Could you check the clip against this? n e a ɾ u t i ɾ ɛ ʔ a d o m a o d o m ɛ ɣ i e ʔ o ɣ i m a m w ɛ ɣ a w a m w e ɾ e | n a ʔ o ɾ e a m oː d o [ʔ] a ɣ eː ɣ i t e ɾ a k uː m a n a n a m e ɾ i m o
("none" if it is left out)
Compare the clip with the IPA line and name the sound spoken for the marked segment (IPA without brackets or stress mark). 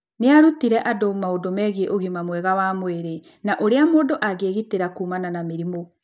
ʔ